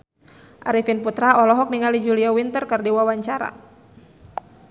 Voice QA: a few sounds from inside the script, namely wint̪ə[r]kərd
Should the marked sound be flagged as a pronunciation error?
no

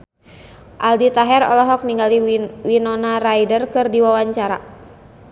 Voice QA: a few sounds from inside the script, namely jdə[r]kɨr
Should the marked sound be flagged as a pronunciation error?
no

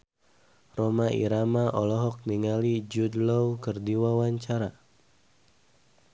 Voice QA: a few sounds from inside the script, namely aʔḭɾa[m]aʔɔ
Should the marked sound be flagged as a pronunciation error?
no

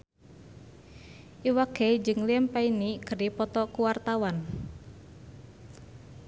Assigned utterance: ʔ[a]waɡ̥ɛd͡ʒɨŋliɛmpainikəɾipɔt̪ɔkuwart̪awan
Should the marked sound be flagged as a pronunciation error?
yes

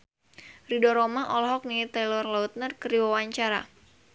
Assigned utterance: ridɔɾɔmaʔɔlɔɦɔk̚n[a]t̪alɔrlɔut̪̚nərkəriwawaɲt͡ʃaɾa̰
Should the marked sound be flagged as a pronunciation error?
yes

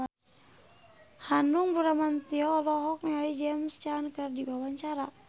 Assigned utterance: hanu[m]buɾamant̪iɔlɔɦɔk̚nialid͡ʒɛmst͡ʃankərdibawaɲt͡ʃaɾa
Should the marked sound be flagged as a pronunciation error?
yes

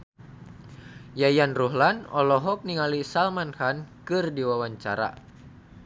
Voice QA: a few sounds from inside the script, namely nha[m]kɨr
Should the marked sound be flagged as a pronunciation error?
yes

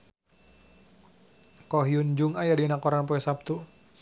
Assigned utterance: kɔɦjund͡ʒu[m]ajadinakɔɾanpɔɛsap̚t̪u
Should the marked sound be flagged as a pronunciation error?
yes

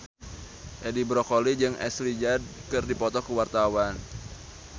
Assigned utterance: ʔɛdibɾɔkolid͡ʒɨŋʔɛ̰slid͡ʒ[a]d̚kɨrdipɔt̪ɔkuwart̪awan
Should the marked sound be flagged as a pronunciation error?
no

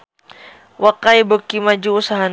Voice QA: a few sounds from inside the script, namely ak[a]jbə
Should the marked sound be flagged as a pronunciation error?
no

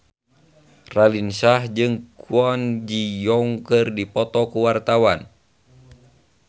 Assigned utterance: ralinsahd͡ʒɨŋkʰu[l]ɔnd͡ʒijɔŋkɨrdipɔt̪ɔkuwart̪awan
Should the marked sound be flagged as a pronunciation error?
yes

